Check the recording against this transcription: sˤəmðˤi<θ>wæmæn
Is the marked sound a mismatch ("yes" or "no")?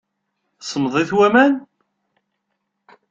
no